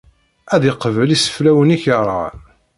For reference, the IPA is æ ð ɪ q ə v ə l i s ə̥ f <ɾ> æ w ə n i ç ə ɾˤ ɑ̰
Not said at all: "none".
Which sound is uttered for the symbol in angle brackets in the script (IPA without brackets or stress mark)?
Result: l